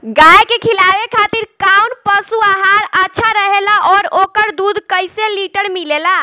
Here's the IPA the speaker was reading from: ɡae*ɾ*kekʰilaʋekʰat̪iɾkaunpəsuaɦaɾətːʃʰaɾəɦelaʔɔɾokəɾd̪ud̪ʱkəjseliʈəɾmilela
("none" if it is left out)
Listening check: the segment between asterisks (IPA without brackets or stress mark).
none